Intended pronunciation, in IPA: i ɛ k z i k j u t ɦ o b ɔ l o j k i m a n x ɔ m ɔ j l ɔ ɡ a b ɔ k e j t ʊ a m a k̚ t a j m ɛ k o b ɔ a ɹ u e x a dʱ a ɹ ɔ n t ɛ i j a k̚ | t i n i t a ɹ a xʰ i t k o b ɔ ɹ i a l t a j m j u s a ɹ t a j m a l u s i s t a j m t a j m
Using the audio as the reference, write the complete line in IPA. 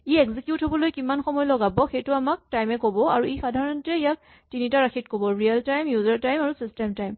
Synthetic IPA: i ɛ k z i k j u t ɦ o b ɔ l o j k i m a n x ɔ m ɔ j l ɔ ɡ a b ɔ x e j t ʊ a m a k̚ t a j m ɛ k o b ɔ a ɹ u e x a dʱ a ɹ ɔ n t ɛ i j a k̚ | t i n i t a ɹ a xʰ i t k o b ɔ ɹ i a l t a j m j u z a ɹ t a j m a ɹ u s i s t a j m t a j m